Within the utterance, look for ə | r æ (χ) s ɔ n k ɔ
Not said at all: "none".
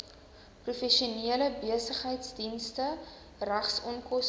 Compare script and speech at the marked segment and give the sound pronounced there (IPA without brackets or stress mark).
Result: χ